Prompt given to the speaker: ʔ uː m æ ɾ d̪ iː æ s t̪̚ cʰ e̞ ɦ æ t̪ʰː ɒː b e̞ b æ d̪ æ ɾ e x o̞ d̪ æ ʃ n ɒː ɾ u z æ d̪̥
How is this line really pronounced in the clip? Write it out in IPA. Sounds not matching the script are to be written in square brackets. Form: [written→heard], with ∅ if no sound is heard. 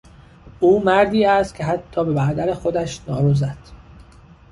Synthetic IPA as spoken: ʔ uː m æ ɾ d̪ iː æ s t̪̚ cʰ e̞ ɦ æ t̪ʰː ɒː b e̞ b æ d̪ æ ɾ e x o̞ d̪ æ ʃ n ɒː ɾ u z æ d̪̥